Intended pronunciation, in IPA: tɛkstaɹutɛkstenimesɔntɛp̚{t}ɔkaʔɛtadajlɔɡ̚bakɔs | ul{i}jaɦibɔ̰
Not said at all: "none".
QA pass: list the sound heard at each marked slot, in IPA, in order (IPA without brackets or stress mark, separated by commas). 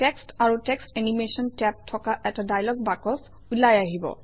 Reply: tʰ, a